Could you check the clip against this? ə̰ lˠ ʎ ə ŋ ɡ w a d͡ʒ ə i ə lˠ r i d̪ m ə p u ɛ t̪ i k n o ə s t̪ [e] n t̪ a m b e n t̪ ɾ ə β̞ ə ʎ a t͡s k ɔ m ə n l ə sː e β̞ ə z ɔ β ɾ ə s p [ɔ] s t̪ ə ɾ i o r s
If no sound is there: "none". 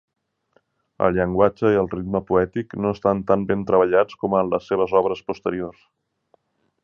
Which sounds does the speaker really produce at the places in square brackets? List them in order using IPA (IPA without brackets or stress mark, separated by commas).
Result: a, u